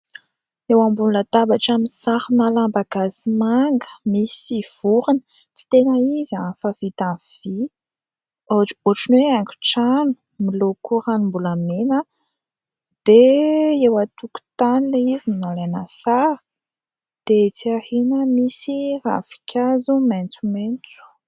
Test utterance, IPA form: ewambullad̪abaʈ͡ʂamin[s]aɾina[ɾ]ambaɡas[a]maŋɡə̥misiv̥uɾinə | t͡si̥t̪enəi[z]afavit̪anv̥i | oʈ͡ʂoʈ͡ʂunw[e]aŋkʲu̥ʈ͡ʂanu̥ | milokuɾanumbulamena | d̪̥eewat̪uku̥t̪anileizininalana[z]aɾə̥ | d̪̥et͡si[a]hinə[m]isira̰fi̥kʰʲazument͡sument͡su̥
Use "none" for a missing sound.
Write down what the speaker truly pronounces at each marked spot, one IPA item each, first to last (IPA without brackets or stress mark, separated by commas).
s, l, i, z, e, s, a, m